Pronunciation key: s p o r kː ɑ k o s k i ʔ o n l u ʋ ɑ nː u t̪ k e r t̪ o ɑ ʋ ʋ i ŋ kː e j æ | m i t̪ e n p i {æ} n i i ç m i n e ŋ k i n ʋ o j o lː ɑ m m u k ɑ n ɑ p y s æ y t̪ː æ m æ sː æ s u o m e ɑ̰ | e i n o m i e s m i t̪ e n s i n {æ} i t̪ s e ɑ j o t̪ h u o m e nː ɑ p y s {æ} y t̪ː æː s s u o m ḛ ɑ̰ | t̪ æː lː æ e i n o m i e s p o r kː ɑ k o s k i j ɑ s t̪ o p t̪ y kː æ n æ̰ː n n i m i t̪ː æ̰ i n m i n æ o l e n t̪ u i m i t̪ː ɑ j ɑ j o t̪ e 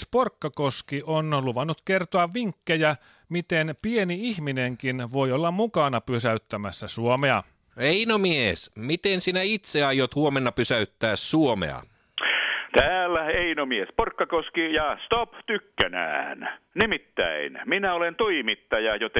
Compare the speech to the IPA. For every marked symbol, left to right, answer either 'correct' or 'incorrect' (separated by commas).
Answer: incorrect, correct, correct